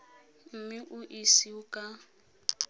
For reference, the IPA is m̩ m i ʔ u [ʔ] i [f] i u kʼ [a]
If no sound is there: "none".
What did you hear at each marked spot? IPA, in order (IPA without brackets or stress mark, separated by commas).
ʔ, s, a